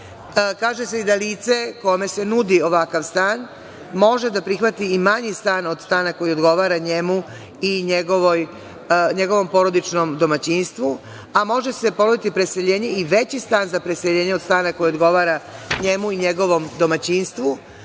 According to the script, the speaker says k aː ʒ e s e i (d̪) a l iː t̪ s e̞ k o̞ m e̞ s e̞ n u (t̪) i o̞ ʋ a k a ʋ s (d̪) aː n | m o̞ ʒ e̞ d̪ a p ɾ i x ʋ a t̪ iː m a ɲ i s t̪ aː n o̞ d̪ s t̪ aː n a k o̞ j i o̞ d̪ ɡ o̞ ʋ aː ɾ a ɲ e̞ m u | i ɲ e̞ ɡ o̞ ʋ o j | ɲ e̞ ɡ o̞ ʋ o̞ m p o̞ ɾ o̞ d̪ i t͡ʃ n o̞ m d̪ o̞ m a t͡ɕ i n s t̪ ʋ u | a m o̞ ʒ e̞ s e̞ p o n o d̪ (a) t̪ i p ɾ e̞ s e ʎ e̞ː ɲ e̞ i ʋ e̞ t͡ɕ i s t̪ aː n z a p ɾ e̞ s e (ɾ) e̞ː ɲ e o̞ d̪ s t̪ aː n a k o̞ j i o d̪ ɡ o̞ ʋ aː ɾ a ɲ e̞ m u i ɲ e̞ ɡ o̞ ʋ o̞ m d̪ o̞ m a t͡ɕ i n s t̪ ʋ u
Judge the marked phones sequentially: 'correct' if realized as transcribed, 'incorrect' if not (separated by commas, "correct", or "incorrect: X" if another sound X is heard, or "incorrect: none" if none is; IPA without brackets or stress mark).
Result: correct, incorrect: d̪, incorrect: t̪, incorrect: i, incorrect: ʎ